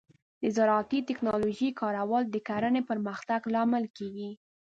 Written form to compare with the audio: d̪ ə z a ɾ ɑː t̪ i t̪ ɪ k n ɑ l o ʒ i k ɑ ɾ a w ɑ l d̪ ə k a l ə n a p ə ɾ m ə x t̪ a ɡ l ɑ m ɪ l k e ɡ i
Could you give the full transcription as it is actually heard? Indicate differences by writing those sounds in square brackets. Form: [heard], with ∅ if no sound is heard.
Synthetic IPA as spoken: d̪ ə z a ɾ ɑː t̪ i t̪ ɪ k n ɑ l o ʒ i k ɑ ɾ a w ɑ l d̪ ə k a [ɾ] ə n [e] p ə ɾ m ə x t̪ a ɡ l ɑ m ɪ l k e ɡ i